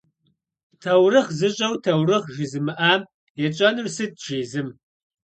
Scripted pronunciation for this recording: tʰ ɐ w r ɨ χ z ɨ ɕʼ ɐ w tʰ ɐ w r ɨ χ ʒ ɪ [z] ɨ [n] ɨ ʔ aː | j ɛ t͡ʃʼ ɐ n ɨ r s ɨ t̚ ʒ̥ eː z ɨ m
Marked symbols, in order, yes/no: yes, no

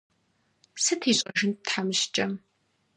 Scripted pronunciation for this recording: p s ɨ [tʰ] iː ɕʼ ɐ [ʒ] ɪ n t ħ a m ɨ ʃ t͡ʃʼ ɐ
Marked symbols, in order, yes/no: yes, yes

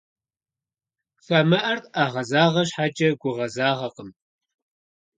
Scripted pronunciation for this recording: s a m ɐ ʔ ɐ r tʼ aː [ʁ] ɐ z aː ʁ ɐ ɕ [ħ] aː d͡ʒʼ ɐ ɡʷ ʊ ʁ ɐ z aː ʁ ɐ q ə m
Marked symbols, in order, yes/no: yes, yes

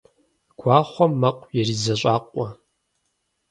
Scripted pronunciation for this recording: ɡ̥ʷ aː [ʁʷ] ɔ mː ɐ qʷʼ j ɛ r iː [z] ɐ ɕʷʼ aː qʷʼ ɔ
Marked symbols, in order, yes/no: no, yes

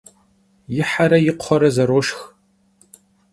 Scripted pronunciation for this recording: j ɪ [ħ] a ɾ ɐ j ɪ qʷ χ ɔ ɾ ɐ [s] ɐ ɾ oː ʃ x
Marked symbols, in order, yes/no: yes, no

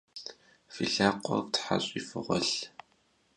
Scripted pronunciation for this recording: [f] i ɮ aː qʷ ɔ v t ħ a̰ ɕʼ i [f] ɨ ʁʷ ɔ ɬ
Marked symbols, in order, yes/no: yes, yes

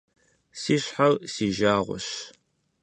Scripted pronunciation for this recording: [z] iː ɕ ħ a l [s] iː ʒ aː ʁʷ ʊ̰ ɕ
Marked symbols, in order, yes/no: no, yes

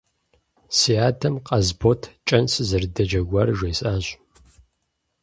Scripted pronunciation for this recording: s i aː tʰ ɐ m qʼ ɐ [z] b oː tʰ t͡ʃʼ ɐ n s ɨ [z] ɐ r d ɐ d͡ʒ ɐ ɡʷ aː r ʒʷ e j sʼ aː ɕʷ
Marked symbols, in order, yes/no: yes, yes

